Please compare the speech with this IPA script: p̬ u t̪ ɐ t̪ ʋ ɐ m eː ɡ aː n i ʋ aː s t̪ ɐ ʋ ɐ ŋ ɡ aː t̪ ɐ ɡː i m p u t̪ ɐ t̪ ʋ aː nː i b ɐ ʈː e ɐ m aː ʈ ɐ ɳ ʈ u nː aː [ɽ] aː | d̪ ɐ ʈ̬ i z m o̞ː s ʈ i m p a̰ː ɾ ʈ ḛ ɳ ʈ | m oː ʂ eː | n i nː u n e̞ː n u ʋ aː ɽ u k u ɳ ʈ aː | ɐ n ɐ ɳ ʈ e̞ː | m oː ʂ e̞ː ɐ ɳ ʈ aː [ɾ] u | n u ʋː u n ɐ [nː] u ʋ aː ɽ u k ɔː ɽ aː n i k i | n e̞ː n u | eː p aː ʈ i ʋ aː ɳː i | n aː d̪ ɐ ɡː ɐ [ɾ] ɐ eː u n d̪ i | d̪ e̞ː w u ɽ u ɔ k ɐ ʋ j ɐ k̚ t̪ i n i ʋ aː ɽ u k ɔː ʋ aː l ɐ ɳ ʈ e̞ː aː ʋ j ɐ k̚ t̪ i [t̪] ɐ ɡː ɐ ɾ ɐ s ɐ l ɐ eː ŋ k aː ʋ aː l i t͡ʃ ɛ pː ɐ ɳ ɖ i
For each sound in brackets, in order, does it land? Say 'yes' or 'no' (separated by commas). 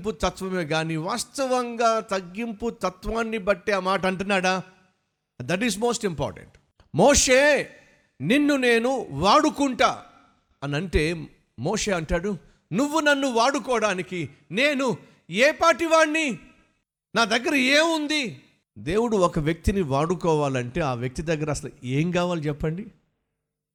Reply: yes, no, yes, yes, no